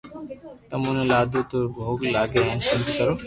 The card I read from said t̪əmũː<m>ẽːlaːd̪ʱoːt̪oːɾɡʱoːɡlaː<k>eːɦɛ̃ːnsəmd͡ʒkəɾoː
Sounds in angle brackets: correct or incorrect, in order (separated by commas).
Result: incorrect, incorrect